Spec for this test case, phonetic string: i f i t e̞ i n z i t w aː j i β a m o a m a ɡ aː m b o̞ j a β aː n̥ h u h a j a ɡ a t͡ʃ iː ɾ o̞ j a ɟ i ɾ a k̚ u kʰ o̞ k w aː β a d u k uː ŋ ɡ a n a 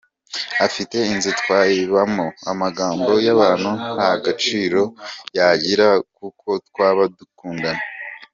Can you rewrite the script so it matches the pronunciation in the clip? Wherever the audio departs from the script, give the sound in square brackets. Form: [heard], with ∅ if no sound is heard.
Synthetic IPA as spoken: [a] f i t e̞ i n z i t w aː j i β a m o a m a ɡ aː m b o̞ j a β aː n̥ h u h a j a ɡ a t͡ʃ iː ɾ o̞ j a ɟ i ɾ a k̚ u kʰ o̞ [t] w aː β a d u k uː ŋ ɡ a n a